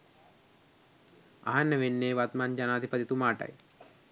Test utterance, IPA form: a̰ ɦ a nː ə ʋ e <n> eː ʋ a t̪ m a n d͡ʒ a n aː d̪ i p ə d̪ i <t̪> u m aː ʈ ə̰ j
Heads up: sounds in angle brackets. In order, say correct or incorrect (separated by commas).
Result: incorrect, correct